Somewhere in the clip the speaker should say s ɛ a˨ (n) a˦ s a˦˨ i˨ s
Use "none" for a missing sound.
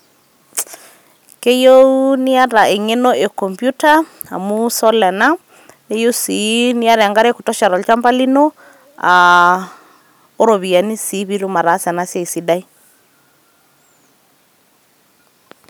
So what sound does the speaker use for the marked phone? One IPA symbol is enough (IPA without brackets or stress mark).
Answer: n